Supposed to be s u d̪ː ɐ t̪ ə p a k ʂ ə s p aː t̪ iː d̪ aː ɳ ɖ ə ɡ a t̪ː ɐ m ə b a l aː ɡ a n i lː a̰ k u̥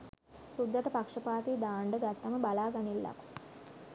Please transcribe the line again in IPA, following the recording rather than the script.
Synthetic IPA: s u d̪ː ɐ t̪ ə p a k ʂ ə p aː t̪ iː d̪ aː ɳ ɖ ə ɡ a t̪ː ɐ m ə b a l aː ɡ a n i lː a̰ k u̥

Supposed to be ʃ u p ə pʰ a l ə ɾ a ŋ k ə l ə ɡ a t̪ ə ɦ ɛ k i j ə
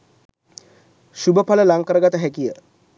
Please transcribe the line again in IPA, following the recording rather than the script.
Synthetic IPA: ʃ u b ə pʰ a l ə l a ŋ k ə ɾ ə ɡ a t̪ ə ɦ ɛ k i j ə

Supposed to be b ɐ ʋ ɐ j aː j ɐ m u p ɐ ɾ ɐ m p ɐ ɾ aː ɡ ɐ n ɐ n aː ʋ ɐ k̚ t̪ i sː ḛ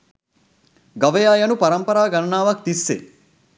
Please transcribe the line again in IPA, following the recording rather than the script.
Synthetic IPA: ɡ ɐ ʋ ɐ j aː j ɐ n u p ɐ ɾ ɐ m p ɐ ɾ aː ɡ ɐ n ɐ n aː ʋ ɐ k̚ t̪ i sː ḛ

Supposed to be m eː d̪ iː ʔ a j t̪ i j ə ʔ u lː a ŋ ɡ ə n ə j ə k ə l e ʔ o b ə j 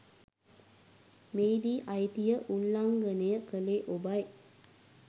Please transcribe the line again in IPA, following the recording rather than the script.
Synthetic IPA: m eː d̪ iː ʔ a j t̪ i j ə ʔ u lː a ŋ ɡ ə n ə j ə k ə l e ʔ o b a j

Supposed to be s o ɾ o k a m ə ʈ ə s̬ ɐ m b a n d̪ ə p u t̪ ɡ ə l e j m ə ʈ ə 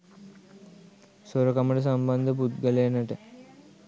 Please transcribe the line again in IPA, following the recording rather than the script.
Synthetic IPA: s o ɾ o k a m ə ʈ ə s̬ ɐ m b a n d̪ ə p u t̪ ɡ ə l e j n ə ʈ ə

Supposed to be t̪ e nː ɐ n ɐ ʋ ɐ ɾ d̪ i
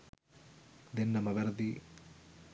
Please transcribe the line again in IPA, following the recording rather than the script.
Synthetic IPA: d̪ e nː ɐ m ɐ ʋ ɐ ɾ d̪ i

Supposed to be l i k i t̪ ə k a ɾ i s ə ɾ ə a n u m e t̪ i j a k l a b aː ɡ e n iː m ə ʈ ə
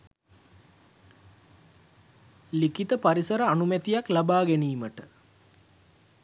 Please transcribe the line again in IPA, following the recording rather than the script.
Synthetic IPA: l i k i t̪ ə p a ɾ i s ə ɾ ə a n u m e t̪ i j a k l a b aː ɡ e n iː m ə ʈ ə

